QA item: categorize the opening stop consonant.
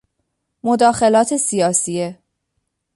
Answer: plain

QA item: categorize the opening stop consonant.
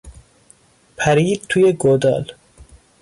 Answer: aspirated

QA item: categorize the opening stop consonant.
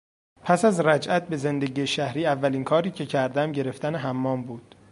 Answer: aspirated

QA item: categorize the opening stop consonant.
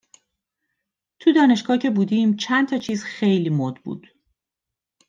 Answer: aspirated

